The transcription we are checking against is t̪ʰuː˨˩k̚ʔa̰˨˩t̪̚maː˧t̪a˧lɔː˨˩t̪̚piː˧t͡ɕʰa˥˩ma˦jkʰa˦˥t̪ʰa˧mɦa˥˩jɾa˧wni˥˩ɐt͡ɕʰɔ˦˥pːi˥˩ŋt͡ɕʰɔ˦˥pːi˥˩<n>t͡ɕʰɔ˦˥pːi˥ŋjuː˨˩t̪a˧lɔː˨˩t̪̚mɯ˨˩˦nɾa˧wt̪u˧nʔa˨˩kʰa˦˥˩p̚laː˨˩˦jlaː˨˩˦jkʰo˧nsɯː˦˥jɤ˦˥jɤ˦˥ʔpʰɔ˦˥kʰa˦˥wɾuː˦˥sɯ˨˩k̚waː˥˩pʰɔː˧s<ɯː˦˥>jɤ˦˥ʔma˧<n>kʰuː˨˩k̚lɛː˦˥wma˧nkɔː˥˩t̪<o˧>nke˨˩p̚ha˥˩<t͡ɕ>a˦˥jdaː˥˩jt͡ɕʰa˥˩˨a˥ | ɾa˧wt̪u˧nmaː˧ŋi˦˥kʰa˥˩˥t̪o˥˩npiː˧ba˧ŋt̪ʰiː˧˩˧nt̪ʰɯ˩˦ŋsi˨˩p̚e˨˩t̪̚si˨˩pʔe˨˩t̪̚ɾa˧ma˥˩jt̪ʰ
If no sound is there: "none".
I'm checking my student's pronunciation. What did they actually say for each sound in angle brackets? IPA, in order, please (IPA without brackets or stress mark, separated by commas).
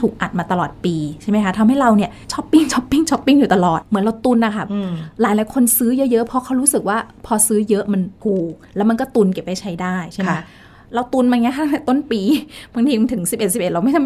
ŋ, ɯː˦˥, n, u˧, t͡ɕʰ